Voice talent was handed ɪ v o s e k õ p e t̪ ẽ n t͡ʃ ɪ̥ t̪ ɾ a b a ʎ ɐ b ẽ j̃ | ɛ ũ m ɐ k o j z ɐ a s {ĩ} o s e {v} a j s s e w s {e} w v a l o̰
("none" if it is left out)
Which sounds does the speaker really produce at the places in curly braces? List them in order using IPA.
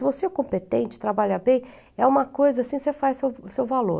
ĩ, f, e

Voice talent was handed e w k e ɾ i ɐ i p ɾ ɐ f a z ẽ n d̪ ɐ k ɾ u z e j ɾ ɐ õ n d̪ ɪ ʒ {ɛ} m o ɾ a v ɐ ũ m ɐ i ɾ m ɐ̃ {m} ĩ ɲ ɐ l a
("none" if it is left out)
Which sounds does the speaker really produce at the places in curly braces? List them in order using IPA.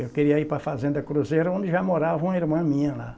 a, m

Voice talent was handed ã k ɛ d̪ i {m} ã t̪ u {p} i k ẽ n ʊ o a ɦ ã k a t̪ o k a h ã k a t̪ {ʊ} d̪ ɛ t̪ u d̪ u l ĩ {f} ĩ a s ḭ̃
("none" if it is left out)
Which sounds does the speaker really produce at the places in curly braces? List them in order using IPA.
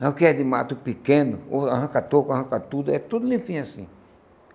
m, p, u, f

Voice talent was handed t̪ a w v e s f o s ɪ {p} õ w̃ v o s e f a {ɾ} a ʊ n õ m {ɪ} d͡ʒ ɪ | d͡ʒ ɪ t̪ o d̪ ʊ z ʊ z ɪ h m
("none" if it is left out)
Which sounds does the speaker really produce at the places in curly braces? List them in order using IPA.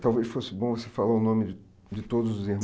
b, l, ɪ

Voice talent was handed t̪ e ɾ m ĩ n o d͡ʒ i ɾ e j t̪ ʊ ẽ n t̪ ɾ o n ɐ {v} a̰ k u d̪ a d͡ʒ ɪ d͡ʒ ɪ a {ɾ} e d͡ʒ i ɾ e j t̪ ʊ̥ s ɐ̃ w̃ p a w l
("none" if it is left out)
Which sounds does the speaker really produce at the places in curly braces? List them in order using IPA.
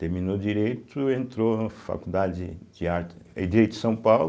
f, ɾ

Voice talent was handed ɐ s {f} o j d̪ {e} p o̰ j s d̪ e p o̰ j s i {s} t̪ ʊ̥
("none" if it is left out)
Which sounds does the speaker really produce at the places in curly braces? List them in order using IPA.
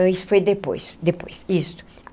f, e, s

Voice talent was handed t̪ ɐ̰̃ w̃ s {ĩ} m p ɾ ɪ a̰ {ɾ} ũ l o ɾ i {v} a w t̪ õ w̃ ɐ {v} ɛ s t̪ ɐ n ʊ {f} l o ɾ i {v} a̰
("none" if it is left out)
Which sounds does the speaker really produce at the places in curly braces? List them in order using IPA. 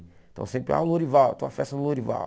ẽ, none, v, f, none, v

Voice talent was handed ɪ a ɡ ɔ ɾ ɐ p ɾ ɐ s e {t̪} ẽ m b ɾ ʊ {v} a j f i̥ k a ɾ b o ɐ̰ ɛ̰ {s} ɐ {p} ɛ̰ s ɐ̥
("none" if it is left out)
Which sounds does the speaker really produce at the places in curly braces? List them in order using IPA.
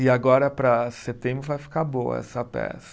t̪, v, s, p

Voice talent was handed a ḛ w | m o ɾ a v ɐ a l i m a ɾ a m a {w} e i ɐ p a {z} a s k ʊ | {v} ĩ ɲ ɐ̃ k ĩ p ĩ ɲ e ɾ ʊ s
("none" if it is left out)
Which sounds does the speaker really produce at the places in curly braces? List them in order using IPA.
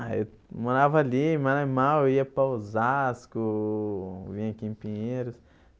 w, z, v

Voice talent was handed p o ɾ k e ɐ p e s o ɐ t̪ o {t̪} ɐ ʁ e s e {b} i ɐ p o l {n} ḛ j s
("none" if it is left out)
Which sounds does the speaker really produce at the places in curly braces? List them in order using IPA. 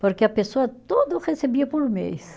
d̪, b, m

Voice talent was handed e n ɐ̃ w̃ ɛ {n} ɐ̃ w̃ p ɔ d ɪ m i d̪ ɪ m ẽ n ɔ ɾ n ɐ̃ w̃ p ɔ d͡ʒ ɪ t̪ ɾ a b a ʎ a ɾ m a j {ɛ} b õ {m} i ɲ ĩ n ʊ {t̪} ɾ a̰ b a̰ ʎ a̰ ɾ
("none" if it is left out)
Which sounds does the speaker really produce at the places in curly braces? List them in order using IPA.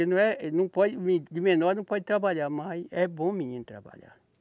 n, ɛ, m, t̪

